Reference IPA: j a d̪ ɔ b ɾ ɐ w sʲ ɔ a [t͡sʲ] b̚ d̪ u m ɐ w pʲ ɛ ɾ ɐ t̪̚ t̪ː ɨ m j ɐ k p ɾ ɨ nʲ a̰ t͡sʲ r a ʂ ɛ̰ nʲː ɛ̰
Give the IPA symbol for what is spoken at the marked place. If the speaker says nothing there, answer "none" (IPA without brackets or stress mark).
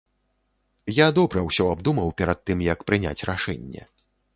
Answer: none